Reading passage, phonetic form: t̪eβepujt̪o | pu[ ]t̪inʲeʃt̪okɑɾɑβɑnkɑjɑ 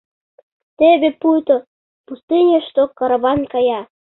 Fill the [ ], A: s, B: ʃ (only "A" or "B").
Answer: A